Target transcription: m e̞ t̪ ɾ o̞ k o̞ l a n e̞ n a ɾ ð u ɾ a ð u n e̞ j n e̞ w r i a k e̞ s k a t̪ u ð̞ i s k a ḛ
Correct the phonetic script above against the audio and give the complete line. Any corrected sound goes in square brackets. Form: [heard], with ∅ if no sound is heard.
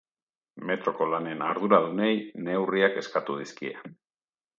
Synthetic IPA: m e̞ t̪ ɾ o̞ k o̞ l a n e̞ n a ɾ ð u ɾ a ð u n e̞ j n e̞ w r i a k e̞ s k a t̪ u ð̞ i s k [i] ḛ